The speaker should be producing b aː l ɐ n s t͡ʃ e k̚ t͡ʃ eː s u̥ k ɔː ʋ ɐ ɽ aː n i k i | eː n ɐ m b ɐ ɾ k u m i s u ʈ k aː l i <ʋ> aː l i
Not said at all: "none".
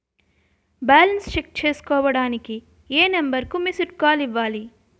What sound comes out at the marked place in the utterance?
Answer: ʋː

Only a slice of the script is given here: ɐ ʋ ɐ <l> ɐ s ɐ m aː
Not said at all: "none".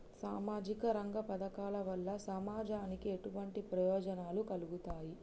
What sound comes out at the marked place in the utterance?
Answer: lː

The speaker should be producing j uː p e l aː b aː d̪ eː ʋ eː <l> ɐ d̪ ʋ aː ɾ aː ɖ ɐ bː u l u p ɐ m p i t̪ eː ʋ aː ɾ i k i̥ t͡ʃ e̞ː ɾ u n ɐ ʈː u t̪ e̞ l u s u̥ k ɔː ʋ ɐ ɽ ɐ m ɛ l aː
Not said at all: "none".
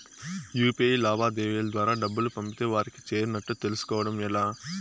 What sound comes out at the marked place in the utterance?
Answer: l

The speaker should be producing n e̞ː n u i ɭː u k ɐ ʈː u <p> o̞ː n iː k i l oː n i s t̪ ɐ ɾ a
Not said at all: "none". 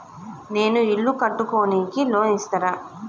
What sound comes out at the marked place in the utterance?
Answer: k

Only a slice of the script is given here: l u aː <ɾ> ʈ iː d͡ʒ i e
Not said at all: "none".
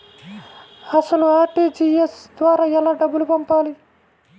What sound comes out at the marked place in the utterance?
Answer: ɾ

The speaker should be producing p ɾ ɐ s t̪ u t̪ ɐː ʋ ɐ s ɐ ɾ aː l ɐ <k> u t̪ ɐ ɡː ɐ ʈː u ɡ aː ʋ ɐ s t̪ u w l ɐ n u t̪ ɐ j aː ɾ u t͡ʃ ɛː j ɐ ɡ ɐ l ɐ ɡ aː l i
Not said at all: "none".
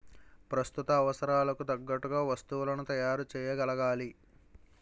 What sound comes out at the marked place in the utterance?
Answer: k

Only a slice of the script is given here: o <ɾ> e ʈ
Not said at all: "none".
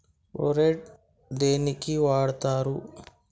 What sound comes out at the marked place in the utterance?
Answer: ɾ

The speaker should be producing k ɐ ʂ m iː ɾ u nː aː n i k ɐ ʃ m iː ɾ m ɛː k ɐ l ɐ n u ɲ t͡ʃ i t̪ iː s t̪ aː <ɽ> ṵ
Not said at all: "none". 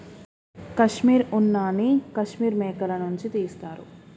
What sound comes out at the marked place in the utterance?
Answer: ɾ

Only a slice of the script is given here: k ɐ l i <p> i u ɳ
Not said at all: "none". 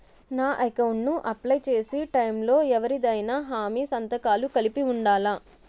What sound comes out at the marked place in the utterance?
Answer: p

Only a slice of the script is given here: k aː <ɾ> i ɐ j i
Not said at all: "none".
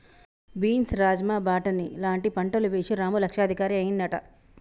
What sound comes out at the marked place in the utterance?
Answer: ɾ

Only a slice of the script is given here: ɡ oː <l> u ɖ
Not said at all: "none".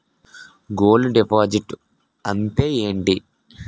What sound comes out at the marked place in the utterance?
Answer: l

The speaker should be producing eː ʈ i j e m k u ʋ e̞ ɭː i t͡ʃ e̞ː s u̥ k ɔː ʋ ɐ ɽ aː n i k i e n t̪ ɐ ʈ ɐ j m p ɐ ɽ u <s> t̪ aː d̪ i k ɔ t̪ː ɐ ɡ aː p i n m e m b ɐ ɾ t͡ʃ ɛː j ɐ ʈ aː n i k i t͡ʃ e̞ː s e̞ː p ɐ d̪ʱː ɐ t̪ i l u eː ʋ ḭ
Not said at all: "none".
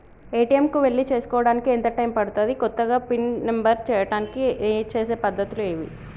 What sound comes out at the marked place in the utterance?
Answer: none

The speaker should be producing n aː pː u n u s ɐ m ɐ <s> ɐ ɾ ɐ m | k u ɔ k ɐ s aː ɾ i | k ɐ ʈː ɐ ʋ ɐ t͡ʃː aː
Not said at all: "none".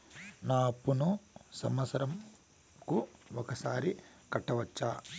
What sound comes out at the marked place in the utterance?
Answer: s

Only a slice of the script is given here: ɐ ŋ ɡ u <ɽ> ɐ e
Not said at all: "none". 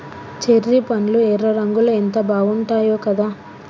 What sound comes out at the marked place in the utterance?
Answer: l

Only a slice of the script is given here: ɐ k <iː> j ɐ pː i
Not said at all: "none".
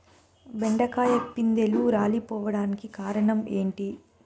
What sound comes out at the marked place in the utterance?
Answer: aː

